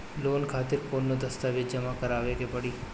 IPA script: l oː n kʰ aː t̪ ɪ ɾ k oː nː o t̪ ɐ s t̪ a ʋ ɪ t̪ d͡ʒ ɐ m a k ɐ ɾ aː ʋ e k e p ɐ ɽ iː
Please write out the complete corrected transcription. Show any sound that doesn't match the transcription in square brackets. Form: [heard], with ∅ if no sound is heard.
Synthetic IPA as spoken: l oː n kʰ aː t̪ ɪ ɾ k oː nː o [d̪] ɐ s t̪ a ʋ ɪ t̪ d͡ʒ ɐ m a k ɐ ɾ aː ʋ e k e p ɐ ɽ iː